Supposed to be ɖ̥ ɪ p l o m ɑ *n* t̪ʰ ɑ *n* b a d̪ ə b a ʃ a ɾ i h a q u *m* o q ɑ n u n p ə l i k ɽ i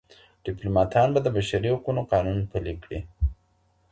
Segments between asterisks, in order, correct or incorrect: incorrect, correct, incorrect

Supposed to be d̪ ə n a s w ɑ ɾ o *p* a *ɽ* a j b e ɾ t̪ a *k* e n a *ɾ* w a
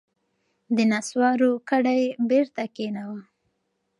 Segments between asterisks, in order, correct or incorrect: incorrect, correct, correct, incorrect

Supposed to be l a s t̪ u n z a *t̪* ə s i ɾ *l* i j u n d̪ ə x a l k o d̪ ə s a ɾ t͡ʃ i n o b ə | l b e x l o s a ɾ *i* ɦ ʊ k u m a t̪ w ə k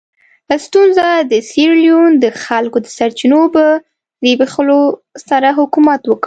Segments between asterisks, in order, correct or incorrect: incorrect, correct, incorrect

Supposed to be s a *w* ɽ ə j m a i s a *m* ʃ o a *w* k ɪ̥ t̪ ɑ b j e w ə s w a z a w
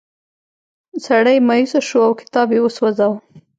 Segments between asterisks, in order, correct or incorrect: incorrect, incorrect, correct

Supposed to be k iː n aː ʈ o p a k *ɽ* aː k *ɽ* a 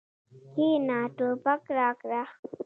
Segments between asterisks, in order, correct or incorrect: incorrect, incorrect

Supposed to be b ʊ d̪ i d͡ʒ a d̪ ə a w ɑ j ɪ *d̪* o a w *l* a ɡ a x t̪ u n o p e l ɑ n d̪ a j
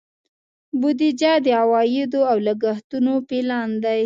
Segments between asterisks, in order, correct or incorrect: correct, correct

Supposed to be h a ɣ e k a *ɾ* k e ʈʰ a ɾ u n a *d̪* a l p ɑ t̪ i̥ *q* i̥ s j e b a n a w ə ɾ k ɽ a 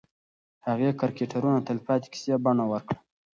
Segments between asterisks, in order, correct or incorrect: correct, incorrect, incorrect

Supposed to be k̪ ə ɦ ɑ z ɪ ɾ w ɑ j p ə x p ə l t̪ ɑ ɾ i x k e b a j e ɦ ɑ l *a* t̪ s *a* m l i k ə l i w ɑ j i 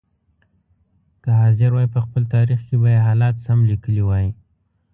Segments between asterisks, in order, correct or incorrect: incorrect, correct

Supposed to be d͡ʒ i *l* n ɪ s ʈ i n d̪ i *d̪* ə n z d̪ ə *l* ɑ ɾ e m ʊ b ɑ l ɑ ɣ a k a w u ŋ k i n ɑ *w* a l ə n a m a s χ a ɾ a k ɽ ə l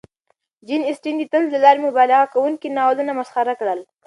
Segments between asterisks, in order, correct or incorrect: incorrect, incorrect, correct, correct

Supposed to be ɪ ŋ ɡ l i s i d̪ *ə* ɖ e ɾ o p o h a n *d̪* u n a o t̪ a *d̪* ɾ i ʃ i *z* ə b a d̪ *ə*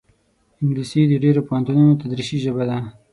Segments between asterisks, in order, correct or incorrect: correct, incorrect, correct, incorrect, incorrect

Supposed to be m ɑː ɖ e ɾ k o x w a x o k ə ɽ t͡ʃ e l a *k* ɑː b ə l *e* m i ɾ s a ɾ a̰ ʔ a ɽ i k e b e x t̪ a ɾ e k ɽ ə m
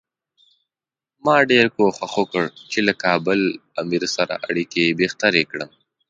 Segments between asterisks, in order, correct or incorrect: correct, incorrect

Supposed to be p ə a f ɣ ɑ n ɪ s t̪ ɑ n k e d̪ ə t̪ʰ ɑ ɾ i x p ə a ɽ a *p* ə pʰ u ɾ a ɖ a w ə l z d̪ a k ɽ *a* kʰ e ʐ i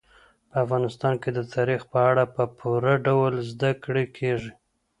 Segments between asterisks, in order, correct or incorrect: correct, incorrect

